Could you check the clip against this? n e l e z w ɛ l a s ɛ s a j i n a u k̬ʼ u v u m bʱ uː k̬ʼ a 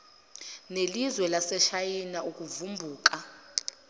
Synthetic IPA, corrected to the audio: n e l i z w ɛ l a s ɛ ʃ a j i n a u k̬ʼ u v u m bʱ uː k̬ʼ a